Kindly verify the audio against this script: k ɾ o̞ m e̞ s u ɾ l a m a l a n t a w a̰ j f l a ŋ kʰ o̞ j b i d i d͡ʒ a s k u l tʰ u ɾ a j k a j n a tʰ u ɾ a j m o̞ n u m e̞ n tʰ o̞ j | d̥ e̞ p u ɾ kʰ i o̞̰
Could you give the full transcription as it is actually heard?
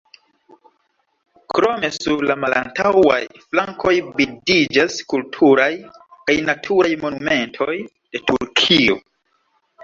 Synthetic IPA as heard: k ɾ o̞ m e̞ s u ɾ l a m a l a n t a w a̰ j f l a ŋ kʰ o̞ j b i d i d͡ʒ a s k u l tʰ u ɾ a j k a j n a tʰ u ɾ a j m o̞ n u m e̞ n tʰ o̞ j | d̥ e̞ t u ɾ kʰ i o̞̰